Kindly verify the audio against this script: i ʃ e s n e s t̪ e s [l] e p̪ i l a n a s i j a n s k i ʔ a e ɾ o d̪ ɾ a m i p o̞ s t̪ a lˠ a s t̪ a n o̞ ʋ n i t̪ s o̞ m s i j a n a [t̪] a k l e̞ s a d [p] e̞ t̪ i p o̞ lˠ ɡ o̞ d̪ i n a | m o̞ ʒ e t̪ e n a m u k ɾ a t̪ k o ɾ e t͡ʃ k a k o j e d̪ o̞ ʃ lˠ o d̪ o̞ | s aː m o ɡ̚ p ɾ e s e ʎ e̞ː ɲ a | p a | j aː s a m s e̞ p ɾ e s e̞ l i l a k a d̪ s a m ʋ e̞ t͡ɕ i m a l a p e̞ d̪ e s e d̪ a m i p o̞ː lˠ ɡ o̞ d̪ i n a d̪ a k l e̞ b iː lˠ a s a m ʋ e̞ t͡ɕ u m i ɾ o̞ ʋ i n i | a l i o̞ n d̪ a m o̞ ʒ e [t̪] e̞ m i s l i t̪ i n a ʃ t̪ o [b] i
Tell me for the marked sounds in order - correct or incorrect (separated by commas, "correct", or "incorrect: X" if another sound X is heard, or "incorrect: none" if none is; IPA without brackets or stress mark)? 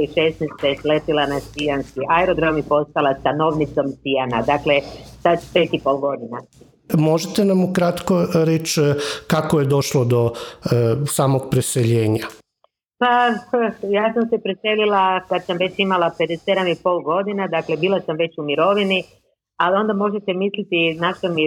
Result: correct, incorrect: d̪, correct, correct, incorrect: m